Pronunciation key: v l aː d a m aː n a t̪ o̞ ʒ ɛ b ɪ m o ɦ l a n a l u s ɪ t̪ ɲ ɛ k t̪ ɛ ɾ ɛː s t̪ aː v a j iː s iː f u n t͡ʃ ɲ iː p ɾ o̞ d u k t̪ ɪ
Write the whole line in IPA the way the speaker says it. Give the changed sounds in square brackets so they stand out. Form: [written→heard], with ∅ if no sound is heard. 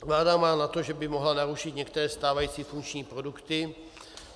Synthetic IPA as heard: v l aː d a m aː n a t̪ o̞ ʒ ɛ b ɪ m o ɦ l a n a [l→ɾ] u [s→ʃ] ɪ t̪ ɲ ɛ k t̪ ɛ ɾ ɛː s t̪ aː v a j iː [s→t͡s] iː f u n t͡ʃ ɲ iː p ɾ o̞ d u k t̪ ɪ